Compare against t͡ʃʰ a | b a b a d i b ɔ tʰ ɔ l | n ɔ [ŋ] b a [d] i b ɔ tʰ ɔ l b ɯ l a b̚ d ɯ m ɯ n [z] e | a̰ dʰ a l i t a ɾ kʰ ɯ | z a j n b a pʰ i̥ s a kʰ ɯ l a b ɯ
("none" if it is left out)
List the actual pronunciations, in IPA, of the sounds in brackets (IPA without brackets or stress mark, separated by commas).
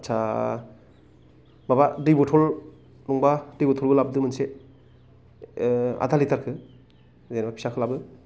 ŋ, d, s